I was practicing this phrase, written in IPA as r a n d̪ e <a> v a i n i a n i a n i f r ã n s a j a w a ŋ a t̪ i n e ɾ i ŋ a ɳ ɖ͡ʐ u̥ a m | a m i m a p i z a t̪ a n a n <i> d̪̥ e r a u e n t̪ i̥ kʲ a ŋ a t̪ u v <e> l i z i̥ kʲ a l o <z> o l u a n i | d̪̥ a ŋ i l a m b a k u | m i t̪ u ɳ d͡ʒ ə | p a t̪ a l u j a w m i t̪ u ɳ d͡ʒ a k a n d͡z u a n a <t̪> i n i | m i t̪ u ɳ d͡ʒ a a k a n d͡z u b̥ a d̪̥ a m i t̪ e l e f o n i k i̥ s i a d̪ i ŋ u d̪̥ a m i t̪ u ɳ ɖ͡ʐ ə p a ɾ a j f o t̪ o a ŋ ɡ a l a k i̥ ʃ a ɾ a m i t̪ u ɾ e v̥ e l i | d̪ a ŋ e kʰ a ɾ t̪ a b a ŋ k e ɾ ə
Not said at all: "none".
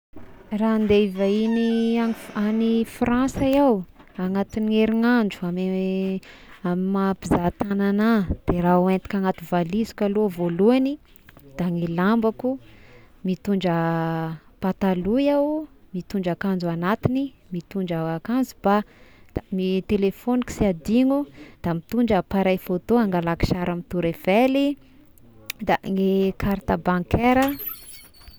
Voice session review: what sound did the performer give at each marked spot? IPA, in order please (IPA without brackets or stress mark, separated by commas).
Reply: i, a, a, v, t̪